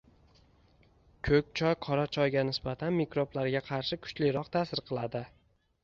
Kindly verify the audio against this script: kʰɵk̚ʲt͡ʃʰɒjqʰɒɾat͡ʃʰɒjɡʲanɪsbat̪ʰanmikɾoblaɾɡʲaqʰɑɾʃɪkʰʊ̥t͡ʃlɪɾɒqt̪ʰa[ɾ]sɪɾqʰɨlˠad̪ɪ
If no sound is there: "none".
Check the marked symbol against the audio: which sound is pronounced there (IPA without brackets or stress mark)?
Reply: none